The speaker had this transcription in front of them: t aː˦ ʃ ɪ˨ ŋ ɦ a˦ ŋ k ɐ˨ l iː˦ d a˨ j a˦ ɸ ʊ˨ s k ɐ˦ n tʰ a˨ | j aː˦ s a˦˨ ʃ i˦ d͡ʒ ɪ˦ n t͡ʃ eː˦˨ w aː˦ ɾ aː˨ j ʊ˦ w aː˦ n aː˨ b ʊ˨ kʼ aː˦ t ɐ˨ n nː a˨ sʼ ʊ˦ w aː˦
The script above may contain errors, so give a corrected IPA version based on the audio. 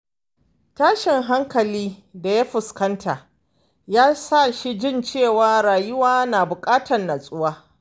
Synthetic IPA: t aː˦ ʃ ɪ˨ ŋ ɦ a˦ ŋ k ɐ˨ l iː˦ d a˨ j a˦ ɸ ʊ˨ s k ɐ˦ n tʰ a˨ | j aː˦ s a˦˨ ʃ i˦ d͡ʒ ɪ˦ n t͡ʃ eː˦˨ w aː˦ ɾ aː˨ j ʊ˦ w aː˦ n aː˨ b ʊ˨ kʼ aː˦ t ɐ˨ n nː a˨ sʼ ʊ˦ w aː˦